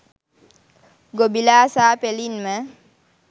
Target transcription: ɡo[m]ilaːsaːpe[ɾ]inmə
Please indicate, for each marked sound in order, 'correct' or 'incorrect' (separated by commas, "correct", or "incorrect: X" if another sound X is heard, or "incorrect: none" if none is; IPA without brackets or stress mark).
incorrect: b, incorrect: l